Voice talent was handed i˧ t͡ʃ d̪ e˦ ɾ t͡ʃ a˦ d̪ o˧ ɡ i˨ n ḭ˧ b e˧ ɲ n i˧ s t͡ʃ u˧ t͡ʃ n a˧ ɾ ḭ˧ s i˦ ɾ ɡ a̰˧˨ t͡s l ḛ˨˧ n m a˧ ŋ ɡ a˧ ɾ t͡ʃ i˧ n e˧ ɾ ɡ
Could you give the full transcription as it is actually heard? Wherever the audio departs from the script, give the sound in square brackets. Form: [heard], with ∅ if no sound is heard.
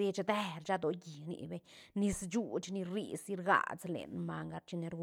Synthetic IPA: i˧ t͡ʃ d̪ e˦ ɾ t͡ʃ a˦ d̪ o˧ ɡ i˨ n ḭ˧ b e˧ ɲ n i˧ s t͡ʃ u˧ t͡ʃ n [i˧] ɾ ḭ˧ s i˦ ɾ ɡ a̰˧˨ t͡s l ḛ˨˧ n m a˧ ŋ ɡ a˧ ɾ t͡ʃ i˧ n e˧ ɾ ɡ